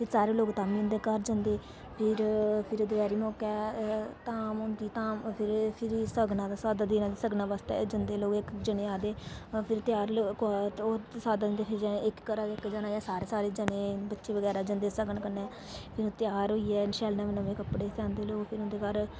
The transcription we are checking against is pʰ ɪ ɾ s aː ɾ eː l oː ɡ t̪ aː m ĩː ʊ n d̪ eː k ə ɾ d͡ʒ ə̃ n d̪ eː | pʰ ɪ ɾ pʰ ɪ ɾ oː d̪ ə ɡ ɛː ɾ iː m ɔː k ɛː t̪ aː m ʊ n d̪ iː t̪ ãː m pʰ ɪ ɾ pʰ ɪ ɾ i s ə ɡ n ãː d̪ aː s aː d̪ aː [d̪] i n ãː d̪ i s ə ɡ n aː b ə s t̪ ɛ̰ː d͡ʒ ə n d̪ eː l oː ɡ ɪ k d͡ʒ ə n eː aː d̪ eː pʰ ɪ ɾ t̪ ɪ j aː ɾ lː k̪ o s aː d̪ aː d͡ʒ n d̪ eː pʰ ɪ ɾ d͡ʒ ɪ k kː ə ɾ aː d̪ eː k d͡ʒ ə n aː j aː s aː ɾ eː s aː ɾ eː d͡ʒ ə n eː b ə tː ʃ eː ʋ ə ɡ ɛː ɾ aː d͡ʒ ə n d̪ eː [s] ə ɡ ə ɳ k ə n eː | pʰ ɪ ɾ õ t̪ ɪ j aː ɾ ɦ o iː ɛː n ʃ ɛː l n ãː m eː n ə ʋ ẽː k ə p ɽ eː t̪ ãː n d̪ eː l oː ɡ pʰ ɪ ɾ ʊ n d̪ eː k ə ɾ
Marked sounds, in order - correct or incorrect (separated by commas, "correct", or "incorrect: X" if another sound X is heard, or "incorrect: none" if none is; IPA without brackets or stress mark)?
correct, correct